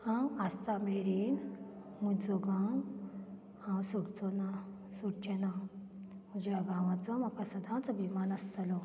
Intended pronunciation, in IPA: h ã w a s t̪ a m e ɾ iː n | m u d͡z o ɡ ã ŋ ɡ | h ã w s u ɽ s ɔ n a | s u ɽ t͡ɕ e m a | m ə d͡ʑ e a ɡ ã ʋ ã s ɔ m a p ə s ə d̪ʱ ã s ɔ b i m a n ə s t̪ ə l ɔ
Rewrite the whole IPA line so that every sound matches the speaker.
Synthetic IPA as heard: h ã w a s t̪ a m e ɾ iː n | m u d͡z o ɡ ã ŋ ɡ | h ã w s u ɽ t͡s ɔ n a | s u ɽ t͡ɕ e n a | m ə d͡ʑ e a ɡ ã ʋ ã t͡s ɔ m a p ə s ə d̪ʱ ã t͡s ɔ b i m a n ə s t̪ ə l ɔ